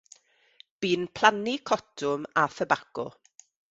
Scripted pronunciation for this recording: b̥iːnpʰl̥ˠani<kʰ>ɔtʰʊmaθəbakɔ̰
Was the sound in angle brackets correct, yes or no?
yes